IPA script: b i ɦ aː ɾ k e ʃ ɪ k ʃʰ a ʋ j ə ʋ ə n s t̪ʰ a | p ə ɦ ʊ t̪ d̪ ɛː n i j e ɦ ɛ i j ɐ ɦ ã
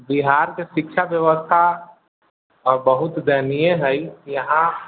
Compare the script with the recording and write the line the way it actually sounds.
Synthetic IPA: b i ɦ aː ɾ k e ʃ ɪ k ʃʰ a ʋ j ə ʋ ə s t̪ʰ a | b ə ɦ ʊ t̪ d̪ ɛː n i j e ɦ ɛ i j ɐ ɦ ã